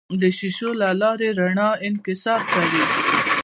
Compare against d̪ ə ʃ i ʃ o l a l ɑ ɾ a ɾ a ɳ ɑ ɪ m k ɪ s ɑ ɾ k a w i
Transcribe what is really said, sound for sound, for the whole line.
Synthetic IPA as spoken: d̪ ə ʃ i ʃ o l a l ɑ ɾ e ɾ a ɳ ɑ ɪ n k ɪ s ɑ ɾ k a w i